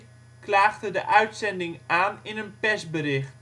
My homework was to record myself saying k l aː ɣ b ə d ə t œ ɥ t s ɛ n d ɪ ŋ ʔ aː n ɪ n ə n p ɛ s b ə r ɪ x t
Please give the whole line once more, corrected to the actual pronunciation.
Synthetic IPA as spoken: k l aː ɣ d ə d ə ʔ œ ɥ t s ɛ n d ɪ ŋ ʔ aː n ɪ n ə n p ɛ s b ə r ɪ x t